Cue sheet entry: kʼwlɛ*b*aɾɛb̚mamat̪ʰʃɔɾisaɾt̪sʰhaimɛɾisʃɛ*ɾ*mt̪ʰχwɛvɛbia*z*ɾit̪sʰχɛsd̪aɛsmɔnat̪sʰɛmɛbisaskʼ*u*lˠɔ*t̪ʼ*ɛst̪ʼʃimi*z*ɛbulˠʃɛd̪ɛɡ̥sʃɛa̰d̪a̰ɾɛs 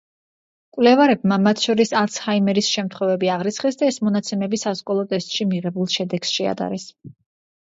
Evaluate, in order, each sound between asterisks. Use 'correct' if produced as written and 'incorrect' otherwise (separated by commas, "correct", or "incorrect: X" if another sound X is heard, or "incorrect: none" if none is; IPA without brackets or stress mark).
incorrect: v, incorrect: none, incorrect: ʁ, incorrect: ɔ, correct, incorrect: ʁ